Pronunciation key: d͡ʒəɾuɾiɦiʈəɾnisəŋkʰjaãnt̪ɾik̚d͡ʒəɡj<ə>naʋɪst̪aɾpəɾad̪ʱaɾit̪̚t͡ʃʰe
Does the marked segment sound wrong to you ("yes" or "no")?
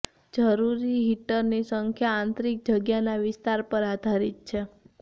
yes